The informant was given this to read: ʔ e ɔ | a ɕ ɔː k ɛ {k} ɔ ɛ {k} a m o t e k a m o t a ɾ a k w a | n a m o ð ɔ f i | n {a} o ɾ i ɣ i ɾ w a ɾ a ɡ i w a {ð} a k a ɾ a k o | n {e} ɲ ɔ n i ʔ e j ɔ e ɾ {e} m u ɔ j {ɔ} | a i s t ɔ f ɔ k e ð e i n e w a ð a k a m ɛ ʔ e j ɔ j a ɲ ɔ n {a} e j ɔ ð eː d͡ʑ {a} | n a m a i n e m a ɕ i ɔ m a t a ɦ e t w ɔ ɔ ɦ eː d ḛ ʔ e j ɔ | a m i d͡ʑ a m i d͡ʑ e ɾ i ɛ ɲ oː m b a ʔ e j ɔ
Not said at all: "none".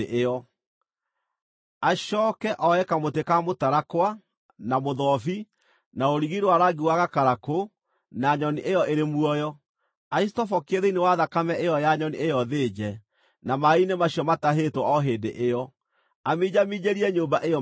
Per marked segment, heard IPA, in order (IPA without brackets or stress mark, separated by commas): ʔ, k, a, ɣ, a, e, ɔ, i, ɛ